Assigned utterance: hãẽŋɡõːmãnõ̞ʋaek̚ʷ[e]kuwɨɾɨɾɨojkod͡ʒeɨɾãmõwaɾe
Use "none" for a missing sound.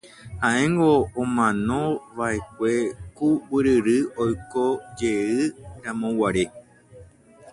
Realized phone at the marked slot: e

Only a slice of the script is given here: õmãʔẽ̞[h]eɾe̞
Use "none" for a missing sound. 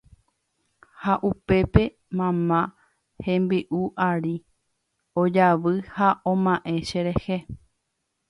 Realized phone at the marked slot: ʃ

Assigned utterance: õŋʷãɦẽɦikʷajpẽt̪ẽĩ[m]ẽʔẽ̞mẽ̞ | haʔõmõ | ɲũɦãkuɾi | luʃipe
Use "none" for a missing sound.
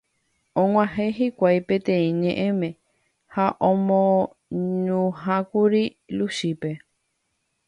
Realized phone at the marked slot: ɲ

